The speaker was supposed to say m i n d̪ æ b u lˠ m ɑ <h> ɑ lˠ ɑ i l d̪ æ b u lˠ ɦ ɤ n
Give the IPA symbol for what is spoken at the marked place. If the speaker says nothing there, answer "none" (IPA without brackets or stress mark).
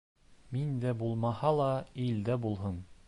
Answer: h